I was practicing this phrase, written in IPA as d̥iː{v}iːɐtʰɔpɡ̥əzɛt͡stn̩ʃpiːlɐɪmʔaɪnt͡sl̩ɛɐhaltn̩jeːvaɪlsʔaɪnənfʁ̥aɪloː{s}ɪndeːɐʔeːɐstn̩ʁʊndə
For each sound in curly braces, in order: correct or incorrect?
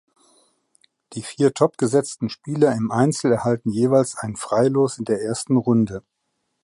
incorrect: f, correct

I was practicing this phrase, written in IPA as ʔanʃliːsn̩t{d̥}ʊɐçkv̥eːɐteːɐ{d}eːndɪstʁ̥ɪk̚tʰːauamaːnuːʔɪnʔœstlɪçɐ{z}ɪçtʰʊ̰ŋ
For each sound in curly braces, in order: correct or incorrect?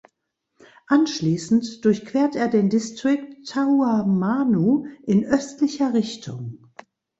correct, correct, incorrect: ʁ

